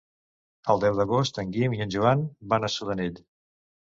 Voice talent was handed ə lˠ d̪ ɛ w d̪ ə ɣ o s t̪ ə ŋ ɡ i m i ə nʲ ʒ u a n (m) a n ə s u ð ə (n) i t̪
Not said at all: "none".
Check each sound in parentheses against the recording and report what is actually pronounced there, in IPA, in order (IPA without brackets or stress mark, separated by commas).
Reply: b, n